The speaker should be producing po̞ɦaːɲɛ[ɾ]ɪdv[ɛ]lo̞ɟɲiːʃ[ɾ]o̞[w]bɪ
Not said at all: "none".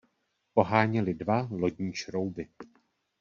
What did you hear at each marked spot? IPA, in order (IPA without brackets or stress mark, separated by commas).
l, a, ɾ, w